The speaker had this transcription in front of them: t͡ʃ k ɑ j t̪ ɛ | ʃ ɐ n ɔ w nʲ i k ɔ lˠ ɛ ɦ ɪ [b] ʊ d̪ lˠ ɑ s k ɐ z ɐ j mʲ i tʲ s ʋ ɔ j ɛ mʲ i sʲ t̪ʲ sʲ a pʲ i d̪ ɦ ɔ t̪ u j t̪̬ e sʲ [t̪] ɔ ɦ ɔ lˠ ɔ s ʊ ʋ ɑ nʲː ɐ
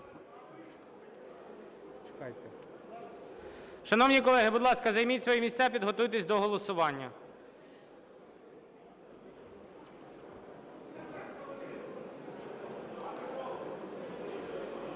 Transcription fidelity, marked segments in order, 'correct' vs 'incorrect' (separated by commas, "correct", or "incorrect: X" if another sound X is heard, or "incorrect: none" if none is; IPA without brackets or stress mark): correct, incorrect: d̪